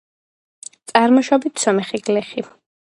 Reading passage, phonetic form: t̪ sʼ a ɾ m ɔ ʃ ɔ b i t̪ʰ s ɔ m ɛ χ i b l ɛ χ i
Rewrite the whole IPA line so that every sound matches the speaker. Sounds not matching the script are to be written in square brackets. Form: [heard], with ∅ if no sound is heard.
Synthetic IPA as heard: t̪ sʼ a ɾ m ɔ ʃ ɔ b i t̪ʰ s ɔ m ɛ χ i [ɡ] l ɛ χ i